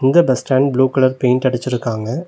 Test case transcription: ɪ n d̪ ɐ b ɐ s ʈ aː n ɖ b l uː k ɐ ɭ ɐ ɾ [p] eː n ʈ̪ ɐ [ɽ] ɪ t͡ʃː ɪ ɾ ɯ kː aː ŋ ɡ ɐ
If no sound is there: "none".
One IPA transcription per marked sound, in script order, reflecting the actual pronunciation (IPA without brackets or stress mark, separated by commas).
p, ɽ